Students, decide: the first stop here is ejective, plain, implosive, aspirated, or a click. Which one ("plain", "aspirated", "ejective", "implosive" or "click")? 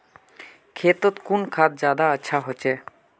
aspirated